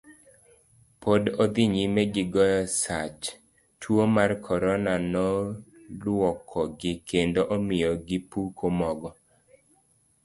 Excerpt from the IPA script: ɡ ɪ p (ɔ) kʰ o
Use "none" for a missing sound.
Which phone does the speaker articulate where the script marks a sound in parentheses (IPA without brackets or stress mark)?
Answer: u